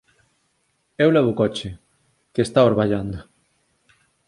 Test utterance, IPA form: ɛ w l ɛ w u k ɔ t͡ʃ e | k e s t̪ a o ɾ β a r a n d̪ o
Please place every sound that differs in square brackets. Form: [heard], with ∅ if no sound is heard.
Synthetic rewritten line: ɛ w l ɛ [β] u k ɔ t͡ʃ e | k e s t̪ a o ɾ β a [ʎ] a n d̪ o